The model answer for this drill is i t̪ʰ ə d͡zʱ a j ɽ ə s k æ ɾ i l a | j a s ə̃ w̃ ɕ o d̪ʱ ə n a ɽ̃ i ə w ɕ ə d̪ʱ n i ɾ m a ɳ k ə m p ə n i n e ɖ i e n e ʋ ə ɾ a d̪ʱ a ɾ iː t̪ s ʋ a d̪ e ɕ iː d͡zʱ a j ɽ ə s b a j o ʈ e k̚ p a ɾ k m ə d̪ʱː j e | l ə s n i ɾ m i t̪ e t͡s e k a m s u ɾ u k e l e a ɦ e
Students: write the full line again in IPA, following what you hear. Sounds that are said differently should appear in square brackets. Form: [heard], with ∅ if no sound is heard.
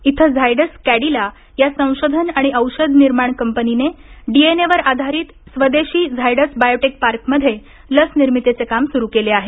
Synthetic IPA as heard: i t̪ʰ ə d͡zʱ a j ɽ ə s k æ [ɽ] i l a | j a s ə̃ w̃ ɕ o d̪ʱ ə n a ɽ̃ i ə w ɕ ə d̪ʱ n i ɾ m a ɳ k ə m p ə n i n e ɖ i e n e ʋ ə ɾ a d̪ʱ a ɾ iː t̪ s ʋ [ə] d̪ e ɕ iː d͡zʱ a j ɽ ə s b a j o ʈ e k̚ p a ɾ k m ə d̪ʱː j e | l ə s n i ɾ m i t̪ e t͡s e k a m s u ɾ u k e l e a ɦ e